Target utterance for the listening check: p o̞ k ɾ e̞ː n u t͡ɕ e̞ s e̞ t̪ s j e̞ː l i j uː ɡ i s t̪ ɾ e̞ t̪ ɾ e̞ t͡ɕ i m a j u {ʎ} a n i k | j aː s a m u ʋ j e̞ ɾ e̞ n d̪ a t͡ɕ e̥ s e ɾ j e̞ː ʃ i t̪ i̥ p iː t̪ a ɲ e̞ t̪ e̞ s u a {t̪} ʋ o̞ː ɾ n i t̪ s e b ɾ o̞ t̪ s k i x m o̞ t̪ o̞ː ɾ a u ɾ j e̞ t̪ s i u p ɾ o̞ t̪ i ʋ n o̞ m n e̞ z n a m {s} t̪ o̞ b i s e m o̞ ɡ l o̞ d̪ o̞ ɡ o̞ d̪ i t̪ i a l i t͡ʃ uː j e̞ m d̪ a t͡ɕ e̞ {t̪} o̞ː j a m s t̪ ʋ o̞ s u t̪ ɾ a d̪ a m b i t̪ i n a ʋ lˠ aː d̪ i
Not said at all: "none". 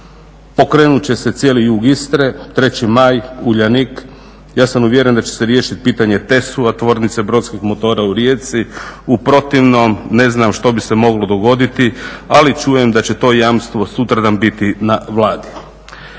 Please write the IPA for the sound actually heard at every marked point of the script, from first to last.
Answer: ʎ, t̪, ʃ, t̪

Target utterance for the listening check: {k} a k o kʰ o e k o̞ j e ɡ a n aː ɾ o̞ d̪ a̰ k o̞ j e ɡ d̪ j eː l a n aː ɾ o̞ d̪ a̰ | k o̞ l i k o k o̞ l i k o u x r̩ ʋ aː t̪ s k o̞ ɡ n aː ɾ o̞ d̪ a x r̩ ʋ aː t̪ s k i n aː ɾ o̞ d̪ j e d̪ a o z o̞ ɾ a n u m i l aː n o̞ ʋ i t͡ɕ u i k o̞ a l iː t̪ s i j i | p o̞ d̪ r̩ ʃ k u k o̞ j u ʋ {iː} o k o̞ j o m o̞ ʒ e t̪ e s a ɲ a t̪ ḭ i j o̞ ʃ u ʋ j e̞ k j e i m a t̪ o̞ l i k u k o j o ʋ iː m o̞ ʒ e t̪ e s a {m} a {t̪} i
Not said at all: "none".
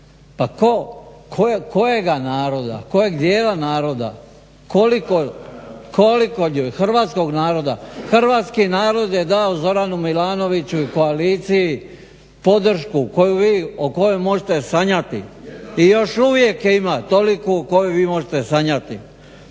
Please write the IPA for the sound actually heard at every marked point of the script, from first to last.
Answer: p, iː, ɲ, t̪

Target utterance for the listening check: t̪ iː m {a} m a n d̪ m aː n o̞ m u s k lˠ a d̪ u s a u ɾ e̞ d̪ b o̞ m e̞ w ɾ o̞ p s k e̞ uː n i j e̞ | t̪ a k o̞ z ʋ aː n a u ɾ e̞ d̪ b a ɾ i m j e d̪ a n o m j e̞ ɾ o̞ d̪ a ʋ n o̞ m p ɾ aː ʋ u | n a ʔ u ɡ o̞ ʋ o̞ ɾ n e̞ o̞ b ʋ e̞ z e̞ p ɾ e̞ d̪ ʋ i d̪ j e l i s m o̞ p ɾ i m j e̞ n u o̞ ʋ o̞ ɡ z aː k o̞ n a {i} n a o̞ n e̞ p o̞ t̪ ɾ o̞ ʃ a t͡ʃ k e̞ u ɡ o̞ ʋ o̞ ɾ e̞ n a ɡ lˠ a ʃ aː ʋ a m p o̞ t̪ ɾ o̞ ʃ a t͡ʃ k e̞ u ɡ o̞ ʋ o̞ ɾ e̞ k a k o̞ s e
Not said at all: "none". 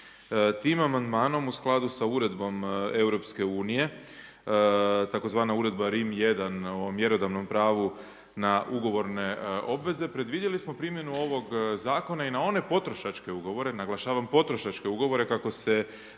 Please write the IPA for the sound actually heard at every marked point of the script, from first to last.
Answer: a, i

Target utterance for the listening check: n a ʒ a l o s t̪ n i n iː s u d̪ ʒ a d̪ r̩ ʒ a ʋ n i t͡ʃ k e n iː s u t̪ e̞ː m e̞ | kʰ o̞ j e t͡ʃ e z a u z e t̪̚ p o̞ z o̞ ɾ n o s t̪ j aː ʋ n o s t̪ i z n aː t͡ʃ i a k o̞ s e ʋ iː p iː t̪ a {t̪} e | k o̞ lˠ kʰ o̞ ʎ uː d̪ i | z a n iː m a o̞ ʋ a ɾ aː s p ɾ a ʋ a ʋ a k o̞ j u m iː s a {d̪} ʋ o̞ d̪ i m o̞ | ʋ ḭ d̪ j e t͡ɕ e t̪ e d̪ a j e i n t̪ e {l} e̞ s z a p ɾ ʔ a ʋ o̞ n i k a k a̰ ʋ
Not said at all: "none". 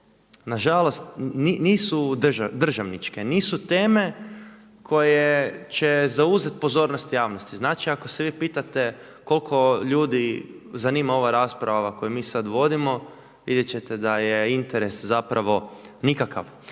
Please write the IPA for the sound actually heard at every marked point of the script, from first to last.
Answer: t̪, d̪, ɾ

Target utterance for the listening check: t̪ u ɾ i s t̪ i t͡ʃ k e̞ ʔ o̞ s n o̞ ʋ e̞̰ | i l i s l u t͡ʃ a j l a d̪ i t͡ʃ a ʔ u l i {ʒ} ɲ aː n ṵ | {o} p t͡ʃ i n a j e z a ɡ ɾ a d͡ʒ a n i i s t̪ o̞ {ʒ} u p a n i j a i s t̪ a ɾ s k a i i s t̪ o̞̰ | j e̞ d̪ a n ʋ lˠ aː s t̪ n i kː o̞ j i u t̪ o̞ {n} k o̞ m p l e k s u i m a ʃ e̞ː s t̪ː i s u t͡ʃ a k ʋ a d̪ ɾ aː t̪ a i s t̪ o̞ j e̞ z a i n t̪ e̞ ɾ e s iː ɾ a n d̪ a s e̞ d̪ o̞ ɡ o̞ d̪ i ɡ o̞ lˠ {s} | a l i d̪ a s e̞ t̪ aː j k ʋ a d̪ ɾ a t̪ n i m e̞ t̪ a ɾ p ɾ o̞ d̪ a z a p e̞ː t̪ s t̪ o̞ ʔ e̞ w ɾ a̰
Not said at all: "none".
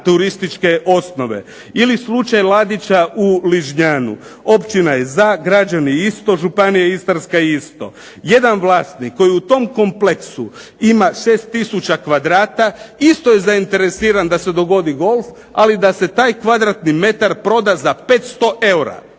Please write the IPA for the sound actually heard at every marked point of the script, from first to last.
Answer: ʒ, o, ʒ, m, f

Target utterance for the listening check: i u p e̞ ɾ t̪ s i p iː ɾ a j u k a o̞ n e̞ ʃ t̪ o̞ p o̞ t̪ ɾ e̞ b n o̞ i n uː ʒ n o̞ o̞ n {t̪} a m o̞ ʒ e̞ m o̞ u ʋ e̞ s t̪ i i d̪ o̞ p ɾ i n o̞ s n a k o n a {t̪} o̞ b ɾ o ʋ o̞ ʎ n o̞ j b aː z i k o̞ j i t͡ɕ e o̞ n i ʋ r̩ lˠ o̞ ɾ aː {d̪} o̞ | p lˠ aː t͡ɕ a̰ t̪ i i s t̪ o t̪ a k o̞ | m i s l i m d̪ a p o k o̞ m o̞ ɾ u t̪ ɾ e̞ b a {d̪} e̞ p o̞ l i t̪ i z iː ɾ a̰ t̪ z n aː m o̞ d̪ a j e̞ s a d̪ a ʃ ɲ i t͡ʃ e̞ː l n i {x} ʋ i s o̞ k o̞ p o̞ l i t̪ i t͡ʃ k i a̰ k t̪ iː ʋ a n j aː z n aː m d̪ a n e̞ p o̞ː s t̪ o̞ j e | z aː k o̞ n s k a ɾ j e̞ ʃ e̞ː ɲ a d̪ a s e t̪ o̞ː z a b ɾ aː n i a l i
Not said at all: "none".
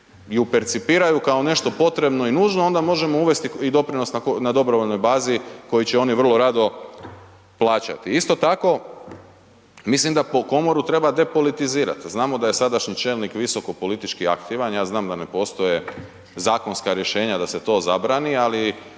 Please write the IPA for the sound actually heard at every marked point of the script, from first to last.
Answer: d̪, d̪, d̪, d̪, k

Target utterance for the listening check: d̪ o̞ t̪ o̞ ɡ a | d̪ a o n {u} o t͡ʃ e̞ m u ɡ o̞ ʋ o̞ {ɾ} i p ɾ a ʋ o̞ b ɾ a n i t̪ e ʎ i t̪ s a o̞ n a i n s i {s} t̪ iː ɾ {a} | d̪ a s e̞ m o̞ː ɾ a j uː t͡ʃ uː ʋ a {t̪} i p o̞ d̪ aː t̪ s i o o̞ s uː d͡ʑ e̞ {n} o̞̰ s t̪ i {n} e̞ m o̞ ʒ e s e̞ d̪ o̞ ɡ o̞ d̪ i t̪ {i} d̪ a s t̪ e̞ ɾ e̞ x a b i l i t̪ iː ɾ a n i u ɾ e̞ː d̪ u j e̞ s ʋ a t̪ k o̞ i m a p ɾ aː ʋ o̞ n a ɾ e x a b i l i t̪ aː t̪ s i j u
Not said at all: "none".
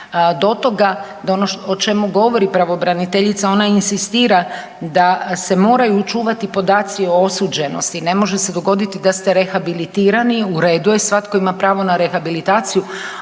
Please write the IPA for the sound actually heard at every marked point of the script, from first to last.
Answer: o, ɾ, s, a, t̪, n, n, i

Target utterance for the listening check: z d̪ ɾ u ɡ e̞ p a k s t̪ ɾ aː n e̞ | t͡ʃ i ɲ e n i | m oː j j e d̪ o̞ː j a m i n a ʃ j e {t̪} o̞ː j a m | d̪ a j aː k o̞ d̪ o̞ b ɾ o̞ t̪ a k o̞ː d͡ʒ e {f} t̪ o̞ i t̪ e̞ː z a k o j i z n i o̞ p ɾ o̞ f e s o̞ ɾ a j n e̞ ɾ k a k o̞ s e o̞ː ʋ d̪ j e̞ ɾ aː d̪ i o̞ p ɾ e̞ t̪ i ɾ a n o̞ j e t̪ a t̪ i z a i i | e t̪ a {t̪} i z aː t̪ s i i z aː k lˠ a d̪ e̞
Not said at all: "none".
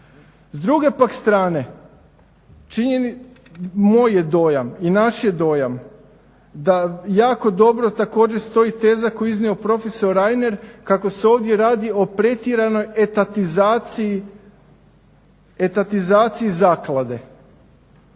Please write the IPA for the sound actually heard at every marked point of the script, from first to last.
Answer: d̪, s, t̪

